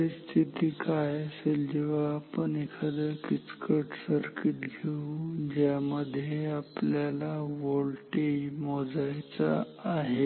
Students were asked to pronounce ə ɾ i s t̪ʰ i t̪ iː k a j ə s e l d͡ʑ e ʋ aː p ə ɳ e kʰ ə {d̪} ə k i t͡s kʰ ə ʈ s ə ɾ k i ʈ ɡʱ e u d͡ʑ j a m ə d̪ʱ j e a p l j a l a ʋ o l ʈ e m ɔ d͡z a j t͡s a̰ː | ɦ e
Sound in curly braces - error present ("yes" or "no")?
no